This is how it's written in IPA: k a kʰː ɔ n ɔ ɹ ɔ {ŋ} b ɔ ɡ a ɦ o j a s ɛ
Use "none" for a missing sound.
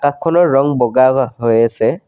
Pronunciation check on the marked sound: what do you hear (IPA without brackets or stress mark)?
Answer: ŋ